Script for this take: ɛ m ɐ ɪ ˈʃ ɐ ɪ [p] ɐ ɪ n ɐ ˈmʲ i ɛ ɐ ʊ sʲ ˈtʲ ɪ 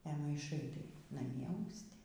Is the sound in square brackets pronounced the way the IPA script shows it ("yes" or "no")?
no